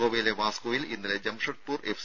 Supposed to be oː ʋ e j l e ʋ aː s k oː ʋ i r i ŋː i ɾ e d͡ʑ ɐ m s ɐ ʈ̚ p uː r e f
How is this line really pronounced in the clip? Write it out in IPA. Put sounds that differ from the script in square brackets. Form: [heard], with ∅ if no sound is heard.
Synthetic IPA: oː ʋ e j l e ʋ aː s k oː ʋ i [l] i [nː] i [l] e d͡ʑ ɐ m [ʂ] ɐ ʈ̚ p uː r e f